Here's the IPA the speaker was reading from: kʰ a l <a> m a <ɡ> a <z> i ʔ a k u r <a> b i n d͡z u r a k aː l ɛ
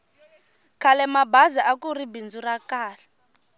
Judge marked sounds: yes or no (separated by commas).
no, no, yes, no